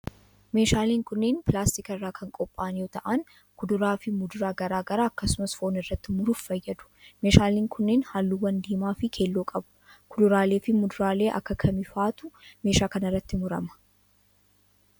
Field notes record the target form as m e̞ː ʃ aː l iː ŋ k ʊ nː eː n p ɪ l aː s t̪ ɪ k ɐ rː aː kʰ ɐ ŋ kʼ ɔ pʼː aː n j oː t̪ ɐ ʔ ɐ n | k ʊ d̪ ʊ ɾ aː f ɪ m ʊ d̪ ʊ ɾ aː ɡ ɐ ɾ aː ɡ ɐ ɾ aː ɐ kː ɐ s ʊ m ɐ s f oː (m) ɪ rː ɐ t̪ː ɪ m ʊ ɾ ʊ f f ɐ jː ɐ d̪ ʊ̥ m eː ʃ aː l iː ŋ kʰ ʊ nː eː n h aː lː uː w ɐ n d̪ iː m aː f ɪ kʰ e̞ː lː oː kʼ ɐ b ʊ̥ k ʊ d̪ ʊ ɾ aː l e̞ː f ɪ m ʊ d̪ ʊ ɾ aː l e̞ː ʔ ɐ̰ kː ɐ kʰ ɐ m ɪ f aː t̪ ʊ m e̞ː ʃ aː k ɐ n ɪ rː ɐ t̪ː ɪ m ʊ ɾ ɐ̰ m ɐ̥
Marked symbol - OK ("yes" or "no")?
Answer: no